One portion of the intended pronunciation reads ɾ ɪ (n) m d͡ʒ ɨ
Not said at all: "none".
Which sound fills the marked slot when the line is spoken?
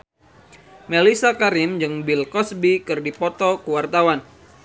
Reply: none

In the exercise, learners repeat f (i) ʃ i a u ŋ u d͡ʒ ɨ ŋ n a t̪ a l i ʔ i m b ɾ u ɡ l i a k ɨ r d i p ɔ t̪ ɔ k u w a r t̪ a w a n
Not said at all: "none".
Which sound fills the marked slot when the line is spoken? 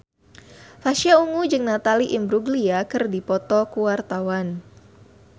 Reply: a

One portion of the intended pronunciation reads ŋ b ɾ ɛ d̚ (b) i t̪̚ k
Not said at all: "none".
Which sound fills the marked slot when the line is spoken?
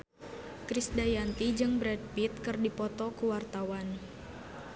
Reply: p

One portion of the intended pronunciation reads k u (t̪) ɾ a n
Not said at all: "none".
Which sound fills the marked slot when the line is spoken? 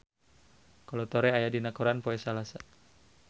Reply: none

